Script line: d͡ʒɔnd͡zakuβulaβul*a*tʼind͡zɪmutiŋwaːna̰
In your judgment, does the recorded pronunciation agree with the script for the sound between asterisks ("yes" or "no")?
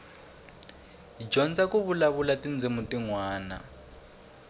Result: yes